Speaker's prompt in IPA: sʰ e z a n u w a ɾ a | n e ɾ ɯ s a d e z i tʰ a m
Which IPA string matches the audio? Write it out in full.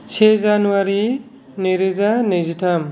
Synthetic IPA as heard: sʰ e z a n u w a ɾ i | n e ɾ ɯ z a n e z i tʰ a m

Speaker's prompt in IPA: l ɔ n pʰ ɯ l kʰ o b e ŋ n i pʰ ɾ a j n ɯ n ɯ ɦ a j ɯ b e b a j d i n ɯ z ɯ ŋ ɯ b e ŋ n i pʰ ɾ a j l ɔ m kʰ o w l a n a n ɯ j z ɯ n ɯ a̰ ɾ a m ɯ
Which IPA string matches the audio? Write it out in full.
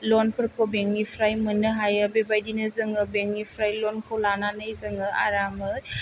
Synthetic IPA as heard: l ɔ n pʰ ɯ ɾ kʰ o b e ŋ n i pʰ ɾ a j m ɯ n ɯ ɦ a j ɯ b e b a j d i n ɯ z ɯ ŋ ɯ b e ŋ n i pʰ ɾ a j l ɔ n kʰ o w l a n a n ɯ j z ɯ ŋ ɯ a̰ ɾ a m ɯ

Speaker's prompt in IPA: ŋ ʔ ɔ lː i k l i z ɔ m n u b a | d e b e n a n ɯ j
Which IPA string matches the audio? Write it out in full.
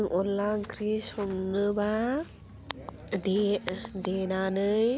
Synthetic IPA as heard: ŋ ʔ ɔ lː a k ɾ i s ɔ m n ɯ b a | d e d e n a n ɯ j

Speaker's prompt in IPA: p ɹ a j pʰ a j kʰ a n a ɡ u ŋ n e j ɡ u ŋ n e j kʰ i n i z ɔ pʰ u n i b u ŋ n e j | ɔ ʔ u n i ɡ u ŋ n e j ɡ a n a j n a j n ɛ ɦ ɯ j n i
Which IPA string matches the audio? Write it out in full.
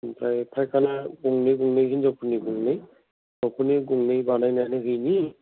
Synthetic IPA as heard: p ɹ a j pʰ a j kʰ a n a ɡ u ŋ n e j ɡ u ŋ n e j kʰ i n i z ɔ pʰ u n i ɡ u ŋ n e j | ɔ p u n i ɡ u ŋ n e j b a n a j n a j n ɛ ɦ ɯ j n i

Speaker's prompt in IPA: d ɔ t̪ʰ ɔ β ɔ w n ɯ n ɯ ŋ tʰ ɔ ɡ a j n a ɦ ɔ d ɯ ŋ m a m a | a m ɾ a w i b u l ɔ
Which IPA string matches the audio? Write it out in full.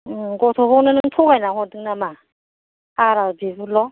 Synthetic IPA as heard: ɡ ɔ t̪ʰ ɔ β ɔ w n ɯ n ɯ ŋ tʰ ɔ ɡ a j n a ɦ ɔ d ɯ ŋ n a m a | a ɾ a b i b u l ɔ

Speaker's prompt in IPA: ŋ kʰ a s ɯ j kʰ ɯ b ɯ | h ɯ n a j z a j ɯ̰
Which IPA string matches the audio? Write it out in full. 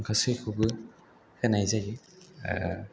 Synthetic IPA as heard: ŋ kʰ a s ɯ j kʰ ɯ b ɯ | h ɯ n a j z a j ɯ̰

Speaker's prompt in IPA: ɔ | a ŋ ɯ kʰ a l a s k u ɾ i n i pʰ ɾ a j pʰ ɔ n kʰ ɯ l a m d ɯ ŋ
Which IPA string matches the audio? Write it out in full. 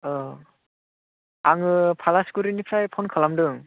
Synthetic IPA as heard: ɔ | a ŋ ɯ pʰ a l a s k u ɾ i n i pʰ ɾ a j pʰ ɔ n kʰ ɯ l a m d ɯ ŋ

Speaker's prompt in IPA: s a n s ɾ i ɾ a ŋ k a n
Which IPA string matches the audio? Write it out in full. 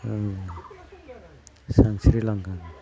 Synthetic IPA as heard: s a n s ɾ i l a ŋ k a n

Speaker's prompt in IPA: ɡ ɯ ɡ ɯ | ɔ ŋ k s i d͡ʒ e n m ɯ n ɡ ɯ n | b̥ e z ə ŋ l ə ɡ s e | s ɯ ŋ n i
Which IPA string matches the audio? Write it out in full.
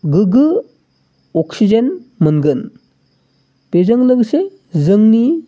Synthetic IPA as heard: ɡ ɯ ɡ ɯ | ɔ k s i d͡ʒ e n m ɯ n ɡ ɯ n | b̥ e z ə ŋ l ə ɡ s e | z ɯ ŋ n i

